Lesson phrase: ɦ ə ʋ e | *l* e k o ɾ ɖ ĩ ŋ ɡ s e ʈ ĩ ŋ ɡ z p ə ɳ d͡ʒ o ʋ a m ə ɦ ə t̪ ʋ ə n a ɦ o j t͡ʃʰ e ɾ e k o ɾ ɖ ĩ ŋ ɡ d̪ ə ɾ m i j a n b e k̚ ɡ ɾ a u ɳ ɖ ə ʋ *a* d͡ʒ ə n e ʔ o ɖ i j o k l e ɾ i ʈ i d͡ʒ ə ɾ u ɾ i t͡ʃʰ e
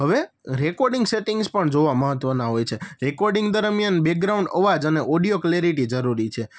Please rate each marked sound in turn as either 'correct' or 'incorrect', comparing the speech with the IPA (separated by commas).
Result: incorrect, correct